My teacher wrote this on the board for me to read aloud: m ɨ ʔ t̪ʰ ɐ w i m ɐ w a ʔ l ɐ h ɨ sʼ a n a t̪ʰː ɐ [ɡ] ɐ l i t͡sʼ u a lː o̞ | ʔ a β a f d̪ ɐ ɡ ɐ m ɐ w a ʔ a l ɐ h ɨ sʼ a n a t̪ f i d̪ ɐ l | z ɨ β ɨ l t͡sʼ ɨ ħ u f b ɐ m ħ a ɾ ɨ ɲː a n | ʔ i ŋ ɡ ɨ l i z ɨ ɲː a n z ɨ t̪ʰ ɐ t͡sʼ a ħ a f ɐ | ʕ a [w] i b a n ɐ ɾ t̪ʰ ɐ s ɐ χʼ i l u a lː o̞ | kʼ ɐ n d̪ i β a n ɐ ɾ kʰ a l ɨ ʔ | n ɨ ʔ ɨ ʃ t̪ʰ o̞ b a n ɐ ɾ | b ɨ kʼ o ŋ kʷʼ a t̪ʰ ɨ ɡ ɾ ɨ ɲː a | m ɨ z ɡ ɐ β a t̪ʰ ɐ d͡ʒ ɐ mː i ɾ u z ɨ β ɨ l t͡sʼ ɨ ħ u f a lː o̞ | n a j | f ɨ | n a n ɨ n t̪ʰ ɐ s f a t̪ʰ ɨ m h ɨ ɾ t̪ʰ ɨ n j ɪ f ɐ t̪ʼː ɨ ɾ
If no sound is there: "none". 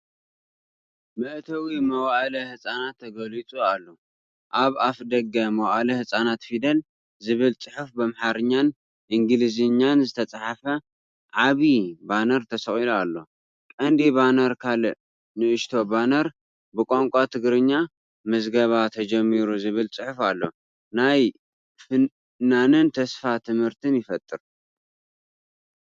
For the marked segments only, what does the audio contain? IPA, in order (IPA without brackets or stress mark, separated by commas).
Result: ɡ, β